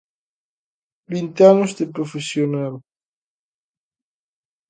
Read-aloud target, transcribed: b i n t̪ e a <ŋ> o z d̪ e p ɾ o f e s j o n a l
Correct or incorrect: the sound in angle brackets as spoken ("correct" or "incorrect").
incorrect